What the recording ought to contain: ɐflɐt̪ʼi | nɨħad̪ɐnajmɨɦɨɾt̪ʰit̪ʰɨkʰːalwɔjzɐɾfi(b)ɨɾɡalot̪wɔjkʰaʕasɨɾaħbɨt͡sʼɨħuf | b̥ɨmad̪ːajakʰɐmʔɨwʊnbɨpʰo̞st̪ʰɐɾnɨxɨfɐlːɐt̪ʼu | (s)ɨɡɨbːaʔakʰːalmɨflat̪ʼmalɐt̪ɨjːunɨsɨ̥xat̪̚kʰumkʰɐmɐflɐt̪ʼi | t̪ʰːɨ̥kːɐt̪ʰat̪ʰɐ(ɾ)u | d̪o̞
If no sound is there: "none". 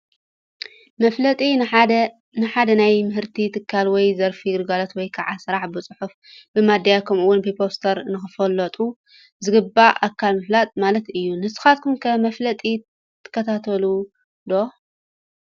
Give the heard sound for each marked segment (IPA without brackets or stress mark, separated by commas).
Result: ɡ, z, l